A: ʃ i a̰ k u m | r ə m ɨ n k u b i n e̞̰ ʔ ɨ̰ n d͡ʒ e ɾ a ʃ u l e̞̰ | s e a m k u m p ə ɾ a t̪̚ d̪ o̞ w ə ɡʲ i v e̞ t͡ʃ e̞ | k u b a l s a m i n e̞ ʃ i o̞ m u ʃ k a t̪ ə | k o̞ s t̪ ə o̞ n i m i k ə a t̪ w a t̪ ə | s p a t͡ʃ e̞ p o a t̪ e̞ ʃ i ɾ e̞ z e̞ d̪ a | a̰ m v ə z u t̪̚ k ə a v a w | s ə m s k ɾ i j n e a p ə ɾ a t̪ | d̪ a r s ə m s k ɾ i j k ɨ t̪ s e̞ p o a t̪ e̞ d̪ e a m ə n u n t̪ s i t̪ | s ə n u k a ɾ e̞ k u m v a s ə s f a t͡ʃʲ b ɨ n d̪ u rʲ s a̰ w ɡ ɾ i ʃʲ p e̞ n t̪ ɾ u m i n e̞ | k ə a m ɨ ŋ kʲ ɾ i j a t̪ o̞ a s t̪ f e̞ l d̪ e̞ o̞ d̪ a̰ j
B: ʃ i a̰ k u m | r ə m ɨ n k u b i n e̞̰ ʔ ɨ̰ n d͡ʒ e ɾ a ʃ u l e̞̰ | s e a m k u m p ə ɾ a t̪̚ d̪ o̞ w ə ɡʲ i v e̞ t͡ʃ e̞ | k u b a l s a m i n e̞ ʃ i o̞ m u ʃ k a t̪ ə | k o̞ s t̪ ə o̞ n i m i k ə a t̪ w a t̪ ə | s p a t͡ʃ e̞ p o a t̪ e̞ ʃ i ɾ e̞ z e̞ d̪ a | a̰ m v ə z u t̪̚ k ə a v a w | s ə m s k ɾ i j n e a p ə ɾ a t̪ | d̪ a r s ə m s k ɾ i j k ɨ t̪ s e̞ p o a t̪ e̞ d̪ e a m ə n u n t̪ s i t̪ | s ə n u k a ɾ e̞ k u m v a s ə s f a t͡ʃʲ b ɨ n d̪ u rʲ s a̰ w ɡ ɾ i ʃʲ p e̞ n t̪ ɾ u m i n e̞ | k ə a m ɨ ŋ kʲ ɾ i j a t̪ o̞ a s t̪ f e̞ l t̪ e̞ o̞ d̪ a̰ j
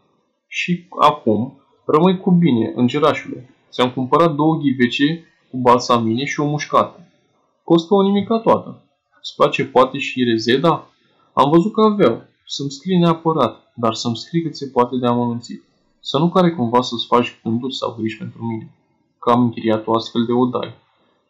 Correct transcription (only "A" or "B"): A